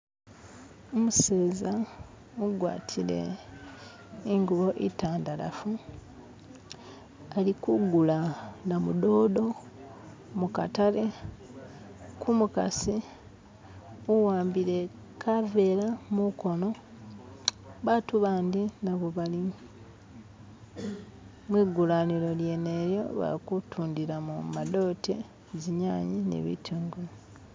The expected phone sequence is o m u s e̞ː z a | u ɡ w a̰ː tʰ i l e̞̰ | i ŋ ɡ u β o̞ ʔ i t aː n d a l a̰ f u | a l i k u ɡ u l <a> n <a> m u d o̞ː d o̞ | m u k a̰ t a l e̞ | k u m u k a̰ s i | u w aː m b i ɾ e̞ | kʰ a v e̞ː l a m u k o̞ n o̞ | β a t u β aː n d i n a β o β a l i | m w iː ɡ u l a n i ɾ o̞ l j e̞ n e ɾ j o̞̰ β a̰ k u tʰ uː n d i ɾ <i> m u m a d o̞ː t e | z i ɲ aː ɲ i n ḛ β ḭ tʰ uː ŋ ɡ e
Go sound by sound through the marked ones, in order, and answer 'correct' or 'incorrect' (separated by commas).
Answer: correct, correct, incorrect